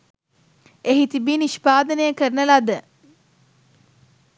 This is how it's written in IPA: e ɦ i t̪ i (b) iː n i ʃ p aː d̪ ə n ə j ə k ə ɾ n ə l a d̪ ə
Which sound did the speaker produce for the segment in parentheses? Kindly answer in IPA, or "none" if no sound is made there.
b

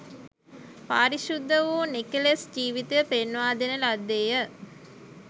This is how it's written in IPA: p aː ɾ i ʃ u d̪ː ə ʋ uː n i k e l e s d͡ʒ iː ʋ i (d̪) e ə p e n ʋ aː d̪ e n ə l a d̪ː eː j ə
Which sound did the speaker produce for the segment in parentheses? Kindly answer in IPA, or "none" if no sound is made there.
t̪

